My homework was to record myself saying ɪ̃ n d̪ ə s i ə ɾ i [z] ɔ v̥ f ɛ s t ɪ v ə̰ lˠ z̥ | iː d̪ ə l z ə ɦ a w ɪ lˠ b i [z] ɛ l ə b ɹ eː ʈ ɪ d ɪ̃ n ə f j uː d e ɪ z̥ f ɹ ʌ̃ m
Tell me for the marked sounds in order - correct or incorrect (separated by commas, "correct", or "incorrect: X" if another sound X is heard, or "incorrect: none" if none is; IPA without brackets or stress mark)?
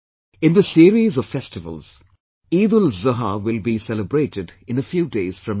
correct, incorrect: s